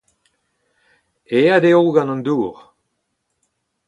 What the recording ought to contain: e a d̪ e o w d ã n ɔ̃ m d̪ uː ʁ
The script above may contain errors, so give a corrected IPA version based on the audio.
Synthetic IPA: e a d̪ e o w ɡ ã n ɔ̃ n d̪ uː ʁ